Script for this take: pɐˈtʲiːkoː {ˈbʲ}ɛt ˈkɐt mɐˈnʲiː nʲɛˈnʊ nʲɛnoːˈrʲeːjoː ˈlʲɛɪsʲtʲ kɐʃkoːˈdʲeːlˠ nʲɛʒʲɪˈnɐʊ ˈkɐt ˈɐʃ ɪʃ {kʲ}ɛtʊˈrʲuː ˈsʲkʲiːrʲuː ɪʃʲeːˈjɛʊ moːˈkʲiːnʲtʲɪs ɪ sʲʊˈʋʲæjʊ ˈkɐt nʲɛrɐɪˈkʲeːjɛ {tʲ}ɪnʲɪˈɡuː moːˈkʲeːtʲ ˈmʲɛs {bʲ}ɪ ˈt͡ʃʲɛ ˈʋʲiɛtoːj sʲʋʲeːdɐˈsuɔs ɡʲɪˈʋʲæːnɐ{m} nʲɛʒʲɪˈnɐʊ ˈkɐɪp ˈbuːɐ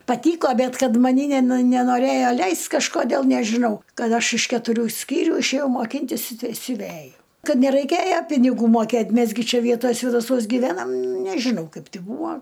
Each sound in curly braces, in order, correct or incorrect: correct, correct, incorrect, incorrect, correct

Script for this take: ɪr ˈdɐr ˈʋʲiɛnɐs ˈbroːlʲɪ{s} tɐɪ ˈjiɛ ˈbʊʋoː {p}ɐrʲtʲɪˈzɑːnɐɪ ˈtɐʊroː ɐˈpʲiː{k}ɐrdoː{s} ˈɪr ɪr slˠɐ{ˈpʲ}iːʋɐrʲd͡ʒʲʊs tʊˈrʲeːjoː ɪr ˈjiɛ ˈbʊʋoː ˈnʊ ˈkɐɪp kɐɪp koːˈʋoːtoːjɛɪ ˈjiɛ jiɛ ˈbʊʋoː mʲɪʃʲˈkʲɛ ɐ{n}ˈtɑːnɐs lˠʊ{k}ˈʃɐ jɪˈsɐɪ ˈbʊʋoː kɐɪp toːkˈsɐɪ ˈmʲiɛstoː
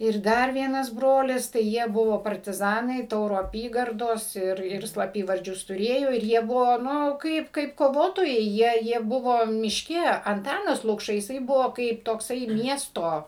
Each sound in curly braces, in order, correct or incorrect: correct, correct, incorrect, correct, correct, correct, correct

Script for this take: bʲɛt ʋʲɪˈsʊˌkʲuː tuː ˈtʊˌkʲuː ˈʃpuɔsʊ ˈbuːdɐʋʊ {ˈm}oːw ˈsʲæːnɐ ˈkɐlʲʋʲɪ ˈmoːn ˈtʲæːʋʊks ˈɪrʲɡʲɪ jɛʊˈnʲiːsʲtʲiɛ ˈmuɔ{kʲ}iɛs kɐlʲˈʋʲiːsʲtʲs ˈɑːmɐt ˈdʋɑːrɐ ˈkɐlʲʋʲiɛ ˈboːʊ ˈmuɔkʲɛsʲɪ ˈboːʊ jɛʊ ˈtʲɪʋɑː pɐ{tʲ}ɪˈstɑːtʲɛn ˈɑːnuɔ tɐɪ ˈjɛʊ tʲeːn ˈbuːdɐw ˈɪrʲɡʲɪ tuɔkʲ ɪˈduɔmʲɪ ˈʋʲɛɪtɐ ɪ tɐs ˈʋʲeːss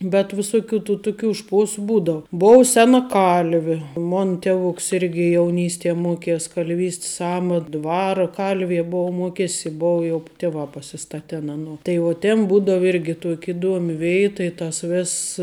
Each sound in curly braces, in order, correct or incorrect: incorrect, correct, incorrect

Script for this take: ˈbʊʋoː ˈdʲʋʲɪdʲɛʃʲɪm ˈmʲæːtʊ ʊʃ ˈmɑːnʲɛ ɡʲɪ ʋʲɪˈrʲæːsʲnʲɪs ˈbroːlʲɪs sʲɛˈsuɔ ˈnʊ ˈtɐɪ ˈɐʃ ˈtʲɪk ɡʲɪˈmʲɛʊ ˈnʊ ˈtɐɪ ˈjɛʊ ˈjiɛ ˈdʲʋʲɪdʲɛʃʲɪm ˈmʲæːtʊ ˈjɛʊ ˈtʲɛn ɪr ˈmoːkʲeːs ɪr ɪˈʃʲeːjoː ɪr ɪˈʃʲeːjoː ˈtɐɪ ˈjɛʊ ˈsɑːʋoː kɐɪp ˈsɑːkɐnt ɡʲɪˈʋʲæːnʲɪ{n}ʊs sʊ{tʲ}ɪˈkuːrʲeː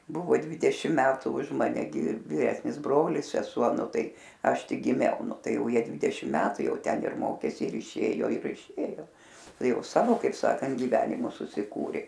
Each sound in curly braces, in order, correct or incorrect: incorrect, incorrect

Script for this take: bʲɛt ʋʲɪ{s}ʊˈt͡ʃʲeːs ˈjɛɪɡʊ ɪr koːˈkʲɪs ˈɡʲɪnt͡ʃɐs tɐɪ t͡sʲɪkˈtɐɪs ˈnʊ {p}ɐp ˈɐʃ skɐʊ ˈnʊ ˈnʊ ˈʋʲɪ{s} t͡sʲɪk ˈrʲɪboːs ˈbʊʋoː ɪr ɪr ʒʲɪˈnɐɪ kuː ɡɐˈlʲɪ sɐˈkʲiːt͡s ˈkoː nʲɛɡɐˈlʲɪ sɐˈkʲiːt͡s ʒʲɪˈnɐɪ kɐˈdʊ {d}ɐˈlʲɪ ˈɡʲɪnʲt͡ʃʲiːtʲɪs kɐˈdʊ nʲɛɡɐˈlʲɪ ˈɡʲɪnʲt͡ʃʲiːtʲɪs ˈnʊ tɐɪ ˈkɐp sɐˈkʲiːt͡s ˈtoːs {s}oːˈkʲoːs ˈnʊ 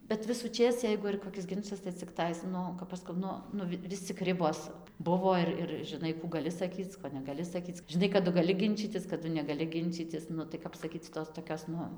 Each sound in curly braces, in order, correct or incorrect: correct, incorrect, correct, incorrect, incorrect

